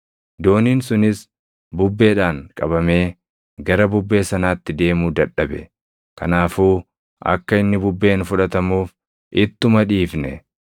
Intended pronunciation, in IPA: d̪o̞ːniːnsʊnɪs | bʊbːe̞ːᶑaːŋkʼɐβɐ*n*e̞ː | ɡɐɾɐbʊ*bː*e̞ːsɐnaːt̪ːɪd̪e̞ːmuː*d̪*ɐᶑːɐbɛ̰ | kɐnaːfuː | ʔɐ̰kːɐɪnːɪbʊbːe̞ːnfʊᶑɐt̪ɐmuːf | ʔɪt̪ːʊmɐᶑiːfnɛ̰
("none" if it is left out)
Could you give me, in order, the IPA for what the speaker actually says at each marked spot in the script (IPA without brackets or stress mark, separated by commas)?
m, bː, d̪